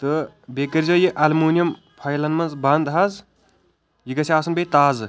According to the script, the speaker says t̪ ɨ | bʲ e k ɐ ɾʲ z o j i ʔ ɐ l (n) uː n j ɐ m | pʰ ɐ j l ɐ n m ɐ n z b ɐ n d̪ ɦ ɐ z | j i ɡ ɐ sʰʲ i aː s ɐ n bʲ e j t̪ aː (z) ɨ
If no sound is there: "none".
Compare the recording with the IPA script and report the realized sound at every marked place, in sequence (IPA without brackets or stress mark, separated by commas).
m, z